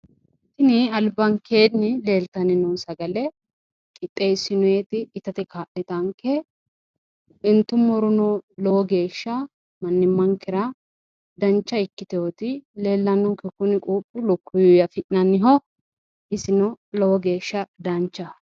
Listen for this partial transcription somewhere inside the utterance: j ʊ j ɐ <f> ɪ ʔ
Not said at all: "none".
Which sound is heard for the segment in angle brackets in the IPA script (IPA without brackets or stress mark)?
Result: f